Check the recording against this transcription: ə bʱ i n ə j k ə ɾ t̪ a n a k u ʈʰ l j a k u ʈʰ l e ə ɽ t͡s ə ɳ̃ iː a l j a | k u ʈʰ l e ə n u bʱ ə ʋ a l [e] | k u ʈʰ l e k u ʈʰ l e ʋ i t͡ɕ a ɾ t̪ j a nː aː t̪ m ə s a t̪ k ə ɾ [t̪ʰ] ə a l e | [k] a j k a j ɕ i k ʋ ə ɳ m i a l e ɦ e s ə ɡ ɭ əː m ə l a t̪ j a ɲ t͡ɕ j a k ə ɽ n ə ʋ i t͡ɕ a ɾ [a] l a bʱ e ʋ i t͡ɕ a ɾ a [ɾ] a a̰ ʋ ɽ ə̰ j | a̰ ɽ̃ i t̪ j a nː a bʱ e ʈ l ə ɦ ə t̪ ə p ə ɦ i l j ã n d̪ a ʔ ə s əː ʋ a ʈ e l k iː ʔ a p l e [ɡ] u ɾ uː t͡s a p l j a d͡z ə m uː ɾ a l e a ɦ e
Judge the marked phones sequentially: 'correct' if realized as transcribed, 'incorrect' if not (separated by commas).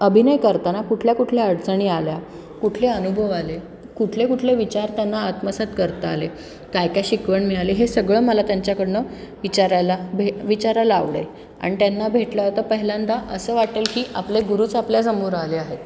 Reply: correct, incorrect, correct, correct, incorrect, correct